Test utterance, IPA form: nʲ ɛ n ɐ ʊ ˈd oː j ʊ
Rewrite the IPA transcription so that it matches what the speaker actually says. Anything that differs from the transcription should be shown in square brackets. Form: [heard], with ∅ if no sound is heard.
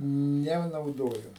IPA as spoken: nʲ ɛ n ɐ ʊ ˈd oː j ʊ